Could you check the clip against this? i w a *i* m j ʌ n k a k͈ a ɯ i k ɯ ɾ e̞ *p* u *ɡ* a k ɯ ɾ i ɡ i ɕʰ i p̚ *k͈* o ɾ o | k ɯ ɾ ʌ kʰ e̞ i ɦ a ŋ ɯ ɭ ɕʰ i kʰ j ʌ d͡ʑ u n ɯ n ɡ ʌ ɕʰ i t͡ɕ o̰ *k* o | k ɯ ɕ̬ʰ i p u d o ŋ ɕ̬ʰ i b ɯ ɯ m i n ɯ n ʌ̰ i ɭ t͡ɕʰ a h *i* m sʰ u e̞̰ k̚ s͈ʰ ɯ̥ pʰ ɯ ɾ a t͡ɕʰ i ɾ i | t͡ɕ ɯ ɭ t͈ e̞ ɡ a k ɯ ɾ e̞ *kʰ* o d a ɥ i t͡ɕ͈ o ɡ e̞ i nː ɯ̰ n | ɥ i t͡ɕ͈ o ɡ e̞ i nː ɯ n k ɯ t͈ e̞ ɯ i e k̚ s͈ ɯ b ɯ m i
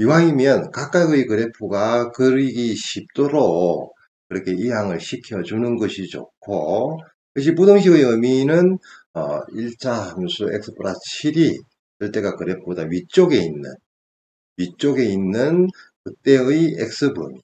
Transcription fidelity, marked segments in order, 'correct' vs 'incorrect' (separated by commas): correct, incorrect, correct, incorrect, incorrect, incorrect, incorrect